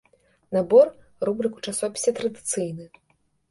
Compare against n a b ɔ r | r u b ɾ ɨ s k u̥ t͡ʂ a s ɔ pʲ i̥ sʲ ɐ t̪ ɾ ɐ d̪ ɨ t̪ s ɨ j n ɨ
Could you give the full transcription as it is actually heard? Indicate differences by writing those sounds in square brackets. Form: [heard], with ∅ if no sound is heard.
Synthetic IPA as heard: n a b ɔ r | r u b ɾ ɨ [∅] k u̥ t͡ʂ a s ɔ pʲ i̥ sʲ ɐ t̪ ɾ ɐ d̪ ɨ t̪ s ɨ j n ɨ